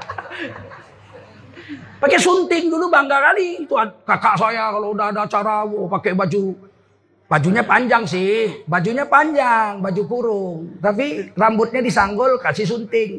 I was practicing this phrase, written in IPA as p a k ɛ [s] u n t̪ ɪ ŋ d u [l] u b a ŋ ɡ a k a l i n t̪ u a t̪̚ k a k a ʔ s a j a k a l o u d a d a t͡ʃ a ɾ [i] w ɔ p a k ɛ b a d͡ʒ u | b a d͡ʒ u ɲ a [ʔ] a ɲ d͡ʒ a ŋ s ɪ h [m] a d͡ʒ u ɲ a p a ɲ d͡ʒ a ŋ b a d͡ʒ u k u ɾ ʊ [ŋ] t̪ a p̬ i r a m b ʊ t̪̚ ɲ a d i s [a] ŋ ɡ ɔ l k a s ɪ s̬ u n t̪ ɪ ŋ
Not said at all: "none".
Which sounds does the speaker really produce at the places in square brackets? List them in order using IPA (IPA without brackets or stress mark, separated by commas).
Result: s, l, a, p, b, ŋ, a